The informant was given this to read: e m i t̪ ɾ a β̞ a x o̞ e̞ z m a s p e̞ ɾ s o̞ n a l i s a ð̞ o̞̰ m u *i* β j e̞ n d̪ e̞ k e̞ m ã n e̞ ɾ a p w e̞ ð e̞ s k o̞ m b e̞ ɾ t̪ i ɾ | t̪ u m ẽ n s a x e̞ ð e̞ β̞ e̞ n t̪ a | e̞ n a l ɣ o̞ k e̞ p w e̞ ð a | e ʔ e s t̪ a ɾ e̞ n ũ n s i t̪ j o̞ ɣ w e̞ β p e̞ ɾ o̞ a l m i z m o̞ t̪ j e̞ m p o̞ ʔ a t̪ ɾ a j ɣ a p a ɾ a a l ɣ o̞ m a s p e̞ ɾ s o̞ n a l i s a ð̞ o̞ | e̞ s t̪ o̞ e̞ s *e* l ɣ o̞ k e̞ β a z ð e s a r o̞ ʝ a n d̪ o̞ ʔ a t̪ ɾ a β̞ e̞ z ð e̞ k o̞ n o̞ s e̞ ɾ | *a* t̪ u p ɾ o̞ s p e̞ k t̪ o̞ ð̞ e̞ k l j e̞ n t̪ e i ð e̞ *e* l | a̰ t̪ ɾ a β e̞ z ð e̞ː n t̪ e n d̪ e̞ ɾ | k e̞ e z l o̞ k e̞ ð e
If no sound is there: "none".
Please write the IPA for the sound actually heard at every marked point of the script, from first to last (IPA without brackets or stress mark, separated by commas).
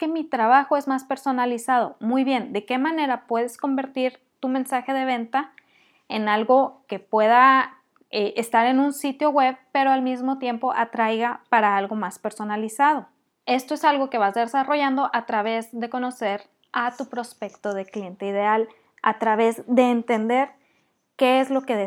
j, a, a, a